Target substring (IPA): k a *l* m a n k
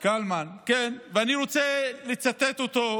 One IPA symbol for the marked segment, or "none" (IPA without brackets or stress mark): l